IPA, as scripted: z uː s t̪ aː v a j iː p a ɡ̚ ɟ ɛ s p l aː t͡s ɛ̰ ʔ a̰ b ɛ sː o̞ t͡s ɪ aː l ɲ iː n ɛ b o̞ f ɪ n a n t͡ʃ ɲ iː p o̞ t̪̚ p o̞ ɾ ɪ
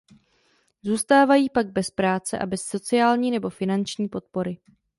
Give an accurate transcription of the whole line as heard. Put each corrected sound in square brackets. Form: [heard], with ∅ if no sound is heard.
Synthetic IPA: z uː s t̪ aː v a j iː p a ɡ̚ [b] ɛ s p [ɾ] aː t͡s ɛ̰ ʔ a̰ b ɛ sː o̞ t͡s ɪ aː l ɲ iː n ɛ b o̞ f ɪ n a n t͡ʃ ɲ iː p o̞ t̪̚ p o̞ ɾ ɪ